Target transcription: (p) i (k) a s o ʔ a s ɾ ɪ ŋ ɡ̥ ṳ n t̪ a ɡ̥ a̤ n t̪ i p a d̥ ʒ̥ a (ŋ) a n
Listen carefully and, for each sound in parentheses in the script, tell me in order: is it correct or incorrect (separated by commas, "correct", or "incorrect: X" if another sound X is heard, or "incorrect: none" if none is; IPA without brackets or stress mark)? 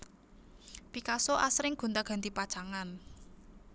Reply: correct, correct, correct